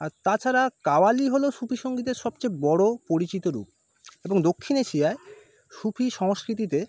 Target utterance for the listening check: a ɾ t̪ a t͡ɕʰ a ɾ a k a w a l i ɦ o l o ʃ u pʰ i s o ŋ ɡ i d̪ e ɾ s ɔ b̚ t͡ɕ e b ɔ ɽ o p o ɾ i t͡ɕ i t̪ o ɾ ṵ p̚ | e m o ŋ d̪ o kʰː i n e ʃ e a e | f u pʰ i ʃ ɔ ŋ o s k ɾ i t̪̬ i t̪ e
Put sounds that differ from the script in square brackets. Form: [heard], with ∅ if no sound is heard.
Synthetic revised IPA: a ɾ t̪ a t͡ɕʰ a ɾ a k a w a l i ɦ o l o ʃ u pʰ i [ʃ] o ŋ ɡ i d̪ e ɾ [ʃ] ɔ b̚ t͡ɕ e b ɔ ɽ o p o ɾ i t͡ɕ i t̪ o ɾ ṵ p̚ | e [b] o ŋ d̪ o kʰː i n e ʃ [i] a e | [ʃ] u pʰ i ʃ ɔ ŋ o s k ɾ i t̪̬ i t̪ e